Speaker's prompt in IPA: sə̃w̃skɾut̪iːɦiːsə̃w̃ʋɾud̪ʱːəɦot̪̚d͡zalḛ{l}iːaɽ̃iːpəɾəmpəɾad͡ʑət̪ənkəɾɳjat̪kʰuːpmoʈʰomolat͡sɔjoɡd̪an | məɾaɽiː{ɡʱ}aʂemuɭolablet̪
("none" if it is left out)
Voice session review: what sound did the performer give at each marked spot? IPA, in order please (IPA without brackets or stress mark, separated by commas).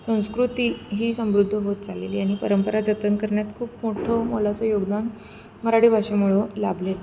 l, bʱ